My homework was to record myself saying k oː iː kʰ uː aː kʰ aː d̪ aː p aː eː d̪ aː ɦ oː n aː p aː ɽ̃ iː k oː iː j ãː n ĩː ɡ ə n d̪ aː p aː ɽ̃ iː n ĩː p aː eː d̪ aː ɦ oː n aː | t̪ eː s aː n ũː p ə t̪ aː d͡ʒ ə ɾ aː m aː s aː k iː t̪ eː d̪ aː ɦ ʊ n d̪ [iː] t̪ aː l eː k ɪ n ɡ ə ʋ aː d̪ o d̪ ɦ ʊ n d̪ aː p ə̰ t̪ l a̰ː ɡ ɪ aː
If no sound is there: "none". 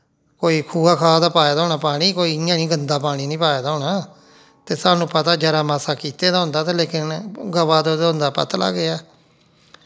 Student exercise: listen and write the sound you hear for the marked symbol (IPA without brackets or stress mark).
aː